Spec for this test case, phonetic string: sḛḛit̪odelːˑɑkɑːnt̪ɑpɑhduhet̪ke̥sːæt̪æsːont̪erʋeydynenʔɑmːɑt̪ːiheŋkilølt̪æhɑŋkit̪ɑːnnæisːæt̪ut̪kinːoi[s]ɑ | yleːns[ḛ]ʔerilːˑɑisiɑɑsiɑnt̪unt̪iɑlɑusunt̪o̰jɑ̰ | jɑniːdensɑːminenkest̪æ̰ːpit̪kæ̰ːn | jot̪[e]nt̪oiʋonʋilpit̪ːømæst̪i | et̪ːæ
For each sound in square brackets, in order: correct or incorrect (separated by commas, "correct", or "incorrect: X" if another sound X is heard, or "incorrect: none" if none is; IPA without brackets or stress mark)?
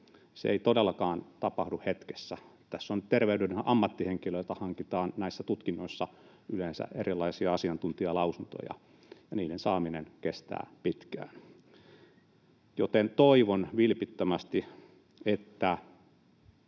incorrect: sː, incorrect: æ̰, correct